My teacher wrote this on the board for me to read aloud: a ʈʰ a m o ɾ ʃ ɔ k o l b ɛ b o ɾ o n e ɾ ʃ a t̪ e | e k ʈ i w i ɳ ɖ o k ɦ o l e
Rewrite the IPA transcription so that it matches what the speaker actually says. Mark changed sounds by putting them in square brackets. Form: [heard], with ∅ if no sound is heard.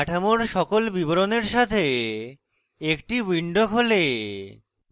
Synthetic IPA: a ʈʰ a m o ɾ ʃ ɔ k o l b [i] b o ɾ o n e ɾ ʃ a [t̪ʰ] e | e k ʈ i w i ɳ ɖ o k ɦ o l e